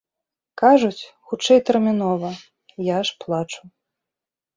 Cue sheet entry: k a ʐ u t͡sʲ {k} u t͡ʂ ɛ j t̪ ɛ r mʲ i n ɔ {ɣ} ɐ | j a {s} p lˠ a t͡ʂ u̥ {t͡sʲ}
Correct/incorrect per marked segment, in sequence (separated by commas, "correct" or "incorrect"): incorrect, incorrect, incorrect, incorrect